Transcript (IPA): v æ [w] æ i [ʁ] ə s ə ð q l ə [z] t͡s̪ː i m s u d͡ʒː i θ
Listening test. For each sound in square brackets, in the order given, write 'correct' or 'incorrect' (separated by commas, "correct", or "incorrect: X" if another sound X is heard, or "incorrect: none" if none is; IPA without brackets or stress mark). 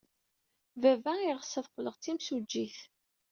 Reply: incorrect: v, correct, incorrect: ʁ